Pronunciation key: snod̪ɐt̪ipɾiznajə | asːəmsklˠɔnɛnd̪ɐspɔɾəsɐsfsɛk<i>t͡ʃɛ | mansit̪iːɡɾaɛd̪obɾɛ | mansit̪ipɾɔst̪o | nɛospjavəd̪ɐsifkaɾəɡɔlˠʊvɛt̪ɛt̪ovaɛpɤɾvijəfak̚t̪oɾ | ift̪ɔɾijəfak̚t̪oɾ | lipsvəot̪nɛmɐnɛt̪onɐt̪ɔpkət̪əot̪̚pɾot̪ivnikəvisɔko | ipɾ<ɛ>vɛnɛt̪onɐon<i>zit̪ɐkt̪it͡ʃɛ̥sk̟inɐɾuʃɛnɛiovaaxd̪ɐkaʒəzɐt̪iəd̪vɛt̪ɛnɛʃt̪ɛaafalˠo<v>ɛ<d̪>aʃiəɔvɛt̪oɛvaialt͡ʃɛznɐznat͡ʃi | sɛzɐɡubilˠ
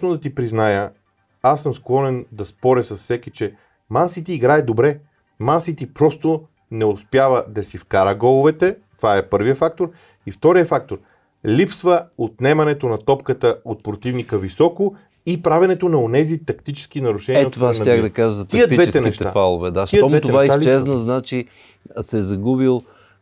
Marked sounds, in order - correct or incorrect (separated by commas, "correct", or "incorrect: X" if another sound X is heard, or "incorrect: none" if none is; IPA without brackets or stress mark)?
correct, incorrect: a, incorrect: ɛ, correct, correct